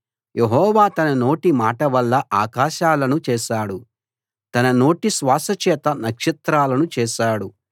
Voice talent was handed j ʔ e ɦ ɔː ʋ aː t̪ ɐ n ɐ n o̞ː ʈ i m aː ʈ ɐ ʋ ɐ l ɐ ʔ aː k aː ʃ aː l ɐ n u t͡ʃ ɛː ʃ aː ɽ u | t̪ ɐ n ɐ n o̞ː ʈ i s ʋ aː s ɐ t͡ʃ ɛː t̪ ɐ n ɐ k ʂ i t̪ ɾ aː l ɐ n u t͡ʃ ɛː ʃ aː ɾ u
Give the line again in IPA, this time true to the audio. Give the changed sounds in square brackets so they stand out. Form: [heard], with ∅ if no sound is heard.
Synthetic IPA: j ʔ e ɦ ɔː ʋ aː t̪ ɐ n ɐ n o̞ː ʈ i m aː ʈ ɐ ʋ ɐ [lː] ɐ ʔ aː k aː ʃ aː l ɐ n u t͡ʃ ɛː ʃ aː ɽ u | t̪ ɐ n ɐ n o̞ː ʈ i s ʋ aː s ɐ t͡ʃ ɛː t̪ ɐ n ɐ k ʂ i t̪ ɾ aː l ɐ n u t͡ʃ ɛː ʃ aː [ɽ] u